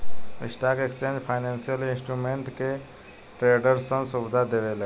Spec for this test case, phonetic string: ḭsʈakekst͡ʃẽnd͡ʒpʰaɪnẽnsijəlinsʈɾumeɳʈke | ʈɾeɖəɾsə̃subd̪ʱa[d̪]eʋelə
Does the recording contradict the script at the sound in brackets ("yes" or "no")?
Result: no